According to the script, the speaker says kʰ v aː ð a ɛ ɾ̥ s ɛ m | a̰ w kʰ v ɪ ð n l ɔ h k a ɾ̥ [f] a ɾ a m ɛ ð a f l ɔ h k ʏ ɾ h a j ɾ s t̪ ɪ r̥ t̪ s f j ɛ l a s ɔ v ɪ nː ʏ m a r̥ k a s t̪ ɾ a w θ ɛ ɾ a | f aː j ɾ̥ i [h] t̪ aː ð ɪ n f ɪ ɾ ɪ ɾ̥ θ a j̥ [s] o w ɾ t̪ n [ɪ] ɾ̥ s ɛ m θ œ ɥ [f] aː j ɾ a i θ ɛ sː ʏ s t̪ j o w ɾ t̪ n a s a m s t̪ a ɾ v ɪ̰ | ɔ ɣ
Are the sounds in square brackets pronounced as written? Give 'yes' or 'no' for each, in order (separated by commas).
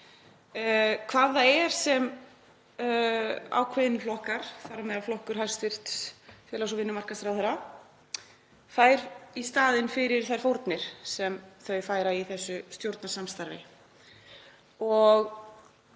no, no, no, yes, yes